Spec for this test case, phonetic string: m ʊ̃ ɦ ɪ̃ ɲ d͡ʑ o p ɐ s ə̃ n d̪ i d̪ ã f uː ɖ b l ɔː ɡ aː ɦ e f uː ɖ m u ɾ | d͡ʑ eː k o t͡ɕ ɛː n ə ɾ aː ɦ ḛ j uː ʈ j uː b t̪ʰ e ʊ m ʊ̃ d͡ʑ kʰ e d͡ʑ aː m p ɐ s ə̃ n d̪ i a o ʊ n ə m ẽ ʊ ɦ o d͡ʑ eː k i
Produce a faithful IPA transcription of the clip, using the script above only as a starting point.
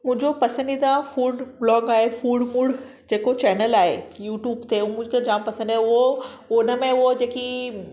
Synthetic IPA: m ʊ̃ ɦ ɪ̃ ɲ d͡ʑ o p ɐ s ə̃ n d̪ i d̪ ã f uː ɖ b l ɔː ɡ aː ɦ e f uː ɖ m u ɽ | d͡ʑ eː k o t͡ɕ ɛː n ə l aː ɦ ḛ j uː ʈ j uː b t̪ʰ e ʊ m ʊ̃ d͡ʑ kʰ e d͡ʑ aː m p ɐ s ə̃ n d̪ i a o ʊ n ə m ẽ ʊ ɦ o d͡ʑ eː k i